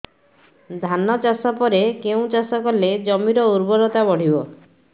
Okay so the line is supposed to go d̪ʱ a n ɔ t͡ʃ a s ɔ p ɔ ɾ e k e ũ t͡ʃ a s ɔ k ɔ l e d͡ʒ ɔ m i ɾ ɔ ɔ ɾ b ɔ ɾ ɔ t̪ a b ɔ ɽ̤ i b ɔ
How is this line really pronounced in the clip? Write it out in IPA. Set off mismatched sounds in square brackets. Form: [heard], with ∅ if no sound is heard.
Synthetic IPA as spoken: d̪ʱ a n ɔ t͡ʃ a s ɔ p ɔ ɾ e k e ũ t͡ʃ a s ɔ k ɔ l e d͡ʒ ɔ m i ɾ ɔ [u] ɾ b ɔ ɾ ɔ t̪ a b ɔ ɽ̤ i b ɔ